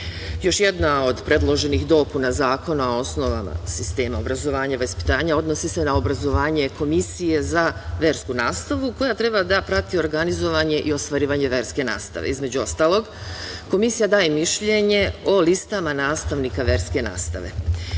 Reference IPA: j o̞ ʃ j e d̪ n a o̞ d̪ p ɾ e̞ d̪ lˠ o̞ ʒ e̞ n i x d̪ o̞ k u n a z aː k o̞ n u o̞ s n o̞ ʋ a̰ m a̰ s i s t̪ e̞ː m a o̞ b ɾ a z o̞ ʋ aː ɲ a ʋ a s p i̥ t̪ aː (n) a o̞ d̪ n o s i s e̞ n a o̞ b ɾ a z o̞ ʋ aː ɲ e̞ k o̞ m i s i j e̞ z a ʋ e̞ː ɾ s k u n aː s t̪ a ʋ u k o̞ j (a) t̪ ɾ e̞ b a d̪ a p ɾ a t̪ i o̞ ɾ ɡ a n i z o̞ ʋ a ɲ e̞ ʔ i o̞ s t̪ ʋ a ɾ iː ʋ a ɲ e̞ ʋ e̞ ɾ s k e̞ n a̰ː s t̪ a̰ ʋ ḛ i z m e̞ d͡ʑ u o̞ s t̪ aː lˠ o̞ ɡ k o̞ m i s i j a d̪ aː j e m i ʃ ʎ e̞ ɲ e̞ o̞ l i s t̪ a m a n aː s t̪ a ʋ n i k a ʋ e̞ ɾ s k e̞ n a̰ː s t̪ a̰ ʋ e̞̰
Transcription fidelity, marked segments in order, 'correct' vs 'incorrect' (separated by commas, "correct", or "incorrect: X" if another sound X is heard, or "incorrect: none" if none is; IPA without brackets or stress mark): incorrect: ɲ, correct